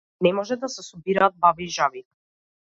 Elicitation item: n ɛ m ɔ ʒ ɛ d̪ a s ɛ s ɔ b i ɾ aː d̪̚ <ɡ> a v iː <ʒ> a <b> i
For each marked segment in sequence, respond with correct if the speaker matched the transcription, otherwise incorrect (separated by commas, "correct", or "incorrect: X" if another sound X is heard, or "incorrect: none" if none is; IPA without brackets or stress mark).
incorrect: b, correct, incorrect: v